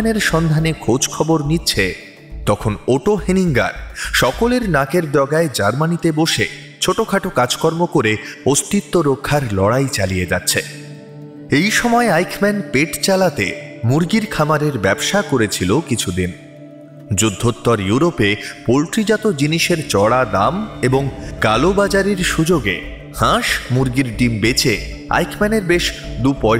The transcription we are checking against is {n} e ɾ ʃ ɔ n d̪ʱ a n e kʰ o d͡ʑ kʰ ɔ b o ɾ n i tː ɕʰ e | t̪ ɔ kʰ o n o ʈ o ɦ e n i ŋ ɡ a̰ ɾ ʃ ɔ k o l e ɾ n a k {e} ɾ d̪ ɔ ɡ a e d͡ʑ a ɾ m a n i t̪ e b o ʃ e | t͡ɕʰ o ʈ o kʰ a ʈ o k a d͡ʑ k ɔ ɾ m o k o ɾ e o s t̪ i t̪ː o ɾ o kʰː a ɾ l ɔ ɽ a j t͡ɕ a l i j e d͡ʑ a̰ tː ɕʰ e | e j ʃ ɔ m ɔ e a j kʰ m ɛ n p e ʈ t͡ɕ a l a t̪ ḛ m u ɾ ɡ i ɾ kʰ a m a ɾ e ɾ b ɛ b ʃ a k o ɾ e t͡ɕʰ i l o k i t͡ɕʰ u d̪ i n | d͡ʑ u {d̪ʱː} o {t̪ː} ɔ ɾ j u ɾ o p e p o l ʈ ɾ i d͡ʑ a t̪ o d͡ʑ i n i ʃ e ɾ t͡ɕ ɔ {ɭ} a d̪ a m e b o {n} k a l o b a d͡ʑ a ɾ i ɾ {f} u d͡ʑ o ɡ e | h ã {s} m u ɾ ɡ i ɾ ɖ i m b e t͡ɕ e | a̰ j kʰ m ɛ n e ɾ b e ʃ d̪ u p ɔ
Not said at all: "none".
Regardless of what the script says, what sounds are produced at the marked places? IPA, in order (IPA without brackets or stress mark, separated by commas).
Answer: n, e, d̪ʱː, t̪ː, ɽ, ŋ, ʃ, ʃ